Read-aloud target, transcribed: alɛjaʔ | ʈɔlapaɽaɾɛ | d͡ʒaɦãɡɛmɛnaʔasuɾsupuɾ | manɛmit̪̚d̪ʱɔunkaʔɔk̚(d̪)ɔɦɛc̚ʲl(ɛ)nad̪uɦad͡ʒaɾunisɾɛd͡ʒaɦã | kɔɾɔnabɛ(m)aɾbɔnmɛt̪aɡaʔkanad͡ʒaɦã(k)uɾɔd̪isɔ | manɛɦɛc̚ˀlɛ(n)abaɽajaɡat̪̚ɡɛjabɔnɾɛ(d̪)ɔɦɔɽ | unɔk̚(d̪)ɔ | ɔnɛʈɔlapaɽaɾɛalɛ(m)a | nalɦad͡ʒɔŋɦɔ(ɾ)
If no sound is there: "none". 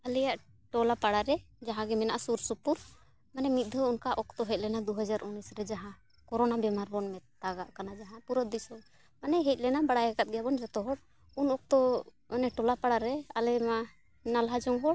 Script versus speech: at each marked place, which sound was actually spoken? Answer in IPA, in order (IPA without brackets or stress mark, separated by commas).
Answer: t̪, ɛ, m, p, n, t̪, t̪, m, ɽ